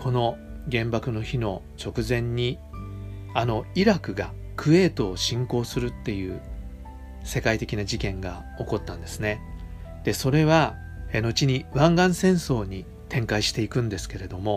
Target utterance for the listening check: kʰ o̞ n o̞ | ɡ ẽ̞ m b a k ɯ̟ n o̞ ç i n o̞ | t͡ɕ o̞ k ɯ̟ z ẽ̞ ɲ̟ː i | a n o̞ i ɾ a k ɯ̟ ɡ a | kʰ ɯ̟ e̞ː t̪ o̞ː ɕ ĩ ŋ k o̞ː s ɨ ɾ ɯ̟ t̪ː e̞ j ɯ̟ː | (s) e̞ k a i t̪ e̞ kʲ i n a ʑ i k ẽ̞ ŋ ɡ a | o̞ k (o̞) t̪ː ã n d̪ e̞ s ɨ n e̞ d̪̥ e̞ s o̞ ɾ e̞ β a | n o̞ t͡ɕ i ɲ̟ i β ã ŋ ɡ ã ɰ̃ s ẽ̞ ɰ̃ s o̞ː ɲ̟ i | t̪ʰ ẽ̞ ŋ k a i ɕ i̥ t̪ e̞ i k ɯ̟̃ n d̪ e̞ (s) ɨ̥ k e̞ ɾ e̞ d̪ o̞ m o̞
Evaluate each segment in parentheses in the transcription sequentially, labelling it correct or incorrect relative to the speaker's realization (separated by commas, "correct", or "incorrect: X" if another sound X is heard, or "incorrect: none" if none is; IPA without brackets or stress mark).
correct, correct, correct